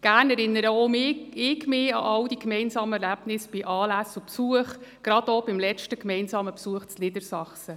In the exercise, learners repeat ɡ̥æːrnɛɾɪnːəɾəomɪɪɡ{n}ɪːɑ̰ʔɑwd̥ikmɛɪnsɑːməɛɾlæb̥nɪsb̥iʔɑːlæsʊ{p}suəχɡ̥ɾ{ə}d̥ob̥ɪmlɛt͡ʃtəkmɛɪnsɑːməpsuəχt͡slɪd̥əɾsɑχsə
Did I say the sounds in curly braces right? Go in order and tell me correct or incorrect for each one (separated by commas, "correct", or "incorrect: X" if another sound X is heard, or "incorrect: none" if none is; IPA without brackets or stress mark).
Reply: incorrect: m, correct, incorrect: ɑ